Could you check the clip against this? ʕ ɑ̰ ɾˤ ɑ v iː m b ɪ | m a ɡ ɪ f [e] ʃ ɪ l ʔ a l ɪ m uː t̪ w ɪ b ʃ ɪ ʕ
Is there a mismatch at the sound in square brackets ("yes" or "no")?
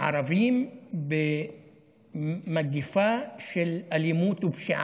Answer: yes